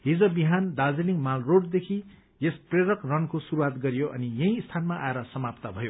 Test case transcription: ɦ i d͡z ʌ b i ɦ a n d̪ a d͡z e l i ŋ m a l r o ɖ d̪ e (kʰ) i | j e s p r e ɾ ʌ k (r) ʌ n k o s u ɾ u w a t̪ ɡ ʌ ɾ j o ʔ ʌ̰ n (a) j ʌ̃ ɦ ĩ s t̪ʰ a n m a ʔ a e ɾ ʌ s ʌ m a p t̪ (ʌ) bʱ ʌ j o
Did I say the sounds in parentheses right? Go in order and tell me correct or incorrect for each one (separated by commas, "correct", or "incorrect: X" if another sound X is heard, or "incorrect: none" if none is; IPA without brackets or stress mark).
correct, correct, incorrect: i, incorrect: a